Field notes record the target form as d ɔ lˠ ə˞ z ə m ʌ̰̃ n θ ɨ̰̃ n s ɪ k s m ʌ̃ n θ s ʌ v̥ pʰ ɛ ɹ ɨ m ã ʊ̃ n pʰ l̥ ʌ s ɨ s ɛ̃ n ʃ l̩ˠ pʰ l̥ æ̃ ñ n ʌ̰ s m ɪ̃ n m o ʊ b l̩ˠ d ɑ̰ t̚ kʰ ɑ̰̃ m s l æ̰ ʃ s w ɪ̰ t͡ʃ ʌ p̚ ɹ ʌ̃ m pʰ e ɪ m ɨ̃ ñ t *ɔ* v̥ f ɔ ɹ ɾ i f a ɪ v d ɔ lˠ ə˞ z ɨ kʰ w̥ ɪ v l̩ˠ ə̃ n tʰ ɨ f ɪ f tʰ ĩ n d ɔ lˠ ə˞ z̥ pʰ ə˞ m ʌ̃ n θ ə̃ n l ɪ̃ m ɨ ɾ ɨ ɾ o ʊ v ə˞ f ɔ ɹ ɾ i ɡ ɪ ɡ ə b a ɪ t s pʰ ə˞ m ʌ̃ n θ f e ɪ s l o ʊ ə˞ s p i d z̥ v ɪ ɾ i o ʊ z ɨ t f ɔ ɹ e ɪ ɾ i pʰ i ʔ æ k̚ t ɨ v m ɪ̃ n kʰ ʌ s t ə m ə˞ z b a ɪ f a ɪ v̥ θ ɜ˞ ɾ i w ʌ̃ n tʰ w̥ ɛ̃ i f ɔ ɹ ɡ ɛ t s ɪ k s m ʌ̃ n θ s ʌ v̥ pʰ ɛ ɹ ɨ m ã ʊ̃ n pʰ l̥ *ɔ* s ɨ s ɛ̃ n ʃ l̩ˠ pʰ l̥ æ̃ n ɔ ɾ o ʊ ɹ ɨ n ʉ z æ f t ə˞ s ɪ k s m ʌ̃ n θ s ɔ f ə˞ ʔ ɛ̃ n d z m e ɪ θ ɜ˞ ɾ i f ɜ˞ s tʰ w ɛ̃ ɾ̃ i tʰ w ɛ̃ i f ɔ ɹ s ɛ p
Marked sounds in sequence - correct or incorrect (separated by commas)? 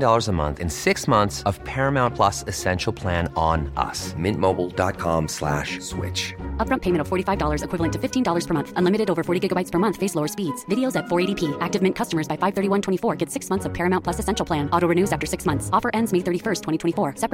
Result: incorrect, incorrect